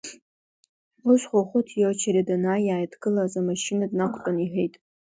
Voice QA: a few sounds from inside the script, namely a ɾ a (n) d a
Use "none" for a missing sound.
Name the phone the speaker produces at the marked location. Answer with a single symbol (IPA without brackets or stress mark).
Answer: none